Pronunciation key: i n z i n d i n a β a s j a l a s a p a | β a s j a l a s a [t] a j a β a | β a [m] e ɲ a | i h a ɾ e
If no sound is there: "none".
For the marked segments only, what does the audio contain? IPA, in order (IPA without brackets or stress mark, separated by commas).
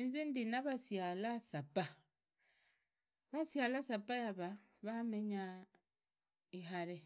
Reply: p, m